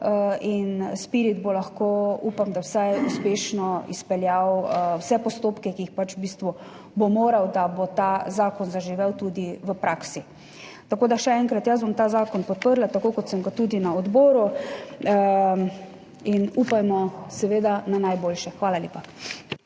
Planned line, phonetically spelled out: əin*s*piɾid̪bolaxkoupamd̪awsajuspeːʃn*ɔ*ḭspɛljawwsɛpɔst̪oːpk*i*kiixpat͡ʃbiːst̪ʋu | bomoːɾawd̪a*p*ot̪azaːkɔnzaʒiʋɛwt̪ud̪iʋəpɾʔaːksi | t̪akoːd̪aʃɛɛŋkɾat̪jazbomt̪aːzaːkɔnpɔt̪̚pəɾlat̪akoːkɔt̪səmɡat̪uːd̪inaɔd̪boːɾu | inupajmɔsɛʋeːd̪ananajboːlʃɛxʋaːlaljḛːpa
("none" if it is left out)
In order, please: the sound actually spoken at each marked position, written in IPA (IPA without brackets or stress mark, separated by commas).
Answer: s, ɔ, ɛ, b